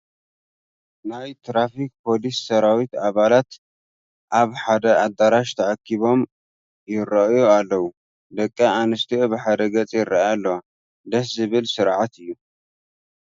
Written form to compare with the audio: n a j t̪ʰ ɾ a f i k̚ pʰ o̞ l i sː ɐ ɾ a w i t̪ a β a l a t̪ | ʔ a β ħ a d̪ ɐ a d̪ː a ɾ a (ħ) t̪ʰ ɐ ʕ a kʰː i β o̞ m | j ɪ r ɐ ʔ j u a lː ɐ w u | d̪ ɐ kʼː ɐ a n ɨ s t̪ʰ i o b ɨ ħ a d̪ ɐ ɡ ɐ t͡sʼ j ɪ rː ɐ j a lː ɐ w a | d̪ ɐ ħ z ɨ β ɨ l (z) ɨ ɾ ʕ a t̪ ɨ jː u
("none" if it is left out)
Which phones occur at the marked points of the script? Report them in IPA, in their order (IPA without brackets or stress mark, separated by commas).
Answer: ʃ, s